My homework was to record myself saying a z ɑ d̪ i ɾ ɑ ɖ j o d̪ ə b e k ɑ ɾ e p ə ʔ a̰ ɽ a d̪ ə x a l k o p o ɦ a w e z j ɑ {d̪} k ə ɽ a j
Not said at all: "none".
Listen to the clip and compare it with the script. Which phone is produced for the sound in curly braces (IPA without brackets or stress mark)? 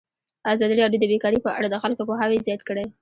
t̪